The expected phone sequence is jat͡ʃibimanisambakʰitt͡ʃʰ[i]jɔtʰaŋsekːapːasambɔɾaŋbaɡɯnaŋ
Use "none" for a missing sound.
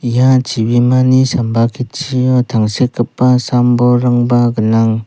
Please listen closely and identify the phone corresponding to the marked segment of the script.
i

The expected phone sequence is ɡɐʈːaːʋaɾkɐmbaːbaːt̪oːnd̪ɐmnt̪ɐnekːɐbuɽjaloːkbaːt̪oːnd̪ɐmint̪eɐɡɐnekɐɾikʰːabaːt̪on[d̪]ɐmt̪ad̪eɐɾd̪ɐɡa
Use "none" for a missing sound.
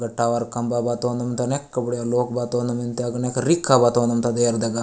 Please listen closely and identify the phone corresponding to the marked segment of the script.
d̪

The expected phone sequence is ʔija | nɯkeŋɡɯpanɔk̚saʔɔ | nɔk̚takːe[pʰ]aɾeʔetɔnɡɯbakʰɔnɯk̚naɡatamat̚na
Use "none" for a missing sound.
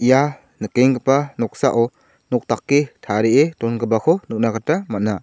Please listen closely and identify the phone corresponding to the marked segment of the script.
tʰ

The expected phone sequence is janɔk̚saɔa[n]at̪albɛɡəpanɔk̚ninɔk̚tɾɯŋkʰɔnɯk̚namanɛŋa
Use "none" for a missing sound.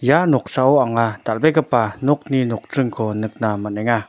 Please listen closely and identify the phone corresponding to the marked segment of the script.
ŋ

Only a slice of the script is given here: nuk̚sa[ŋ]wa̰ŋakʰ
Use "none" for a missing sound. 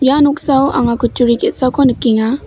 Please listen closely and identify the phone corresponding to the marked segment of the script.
none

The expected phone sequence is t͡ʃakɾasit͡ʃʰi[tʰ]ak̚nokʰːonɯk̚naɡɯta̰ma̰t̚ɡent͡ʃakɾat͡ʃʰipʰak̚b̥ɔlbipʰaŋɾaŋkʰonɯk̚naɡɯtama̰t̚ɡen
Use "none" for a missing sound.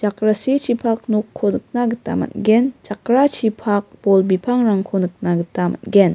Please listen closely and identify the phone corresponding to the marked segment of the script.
pʰ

